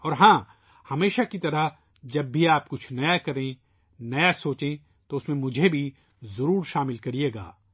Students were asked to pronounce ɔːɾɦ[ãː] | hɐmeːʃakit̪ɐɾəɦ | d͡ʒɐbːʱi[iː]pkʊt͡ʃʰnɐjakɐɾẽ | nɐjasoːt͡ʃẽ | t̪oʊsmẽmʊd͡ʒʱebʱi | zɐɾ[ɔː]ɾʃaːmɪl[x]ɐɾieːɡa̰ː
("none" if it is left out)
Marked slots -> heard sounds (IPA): ãː, aː, uː, k

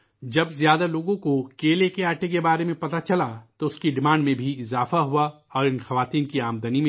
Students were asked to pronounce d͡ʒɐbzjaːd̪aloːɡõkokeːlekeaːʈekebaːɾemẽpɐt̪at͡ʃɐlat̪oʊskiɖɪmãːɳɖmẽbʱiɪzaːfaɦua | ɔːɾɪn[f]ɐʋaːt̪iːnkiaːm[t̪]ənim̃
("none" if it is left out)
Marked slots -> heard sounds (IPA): x, d̪

